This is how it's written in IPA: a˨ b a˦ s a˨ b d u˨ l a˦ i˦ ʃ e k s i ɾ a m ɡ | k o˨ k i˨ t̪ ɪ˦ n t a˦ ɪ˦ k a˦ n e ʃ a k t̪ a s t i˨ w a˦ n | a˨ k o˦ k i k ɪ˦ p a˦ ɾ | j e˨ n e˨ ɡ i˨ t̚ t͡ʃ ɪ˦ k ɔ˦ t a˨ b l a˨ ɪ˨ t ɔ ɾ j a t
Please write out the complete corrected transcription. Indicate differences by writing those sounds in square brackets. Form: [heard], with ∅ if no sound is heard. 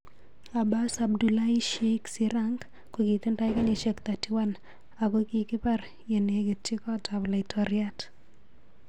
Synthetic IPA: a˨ b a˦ s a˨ b d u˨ l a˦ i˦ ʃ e k s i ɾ a [ŋ] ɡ | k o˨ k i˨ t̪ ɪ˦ n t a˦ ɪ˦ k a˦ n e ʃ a k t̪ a [∅] t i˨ w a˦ n | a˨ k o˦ k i k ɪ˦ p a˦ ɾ | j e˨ n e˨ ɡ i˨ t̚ t͡ʃ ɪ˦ k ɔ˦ t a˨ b l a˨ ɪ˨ t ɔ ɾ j a t